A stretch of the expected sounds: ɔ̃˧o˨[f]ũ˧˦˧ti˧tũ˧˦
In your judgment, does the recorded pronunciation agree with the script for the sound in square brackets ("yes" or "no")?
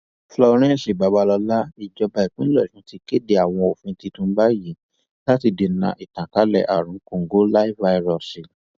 yes